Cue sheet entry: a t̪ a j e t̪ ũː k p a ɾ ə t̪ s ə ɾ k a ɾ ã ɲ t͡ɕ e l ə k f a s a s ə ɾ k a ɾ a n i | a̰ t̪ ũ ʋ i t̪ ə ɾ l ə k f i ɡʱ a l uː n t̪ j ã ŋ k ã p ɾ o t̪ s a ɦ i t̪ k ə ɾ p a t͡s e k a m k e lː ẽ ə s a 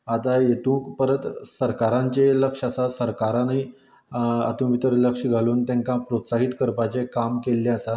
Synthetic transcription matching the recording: a t̪ a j e t̪ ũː k p ə ɾ ə t̪ s ə ɾ k a ɾ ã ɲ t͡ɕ e l ə k ʂ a s a s ə ɾ k a ɾ a n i | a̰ t̪ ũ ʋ i t̪ ə ɾ l ə k ʂ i ɡʱ a l uː n t̪ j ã ŋ k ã p ɾ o t̪ s a ɦ i t̪ k ə ɾ p a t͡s e k a m k e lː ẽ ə s a